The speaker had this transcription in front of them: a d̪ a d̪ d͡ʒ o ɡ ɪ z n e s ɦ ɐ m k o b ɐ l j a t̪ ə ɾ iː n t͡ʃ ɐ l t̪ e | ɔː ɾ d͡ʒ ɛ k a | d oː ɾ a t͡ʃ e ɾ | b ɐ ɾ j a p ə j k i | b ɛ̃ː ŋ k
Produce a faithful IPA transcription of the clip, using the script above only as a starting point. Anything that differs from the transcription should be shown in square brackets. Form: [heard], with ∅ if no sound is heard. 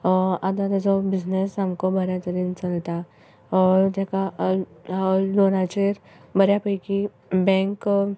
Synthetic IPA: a d̪ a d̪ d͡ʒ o [b] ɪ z n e s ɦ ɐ m k o b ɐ [ɾ] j a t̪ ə ɾ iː n t͡ʃ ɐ l t̪ [a] | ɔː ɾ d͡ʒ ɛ k a | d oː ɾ a t͡ʃ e ɾ | b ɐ ɾ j a p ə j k i | b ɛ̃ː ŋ k